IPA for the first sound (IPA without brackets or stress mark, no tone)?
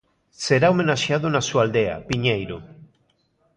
s